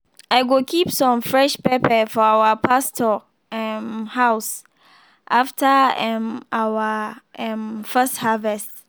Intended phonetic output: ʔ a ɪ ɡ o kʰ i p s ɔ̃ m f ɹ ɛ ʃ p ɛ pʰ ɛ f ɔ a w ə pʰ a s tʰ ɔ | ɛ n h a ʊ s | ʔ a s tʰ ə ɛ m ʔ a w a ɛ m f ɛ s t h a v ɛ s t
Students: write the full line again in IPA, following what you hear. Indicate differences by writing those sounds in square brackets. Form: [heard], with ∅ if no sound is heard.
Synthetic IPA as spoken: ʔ a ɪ ɡ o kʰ i p s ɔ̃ m f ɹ ɛ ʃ p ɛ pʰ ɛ f ɔ a w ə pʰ a s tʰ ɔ | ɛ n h a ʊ s | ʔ a [f] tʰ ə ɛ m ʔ a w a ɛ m f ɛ s t h a v ɛ s t